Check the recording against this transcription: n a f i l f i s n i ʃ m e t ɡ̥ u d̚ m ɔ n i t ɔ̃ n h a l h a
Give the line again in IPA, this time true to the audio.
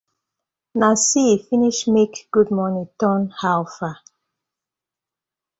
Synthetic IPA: n a s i f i n i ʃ m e k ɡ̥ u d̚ m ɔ n i t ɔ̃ n h a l f a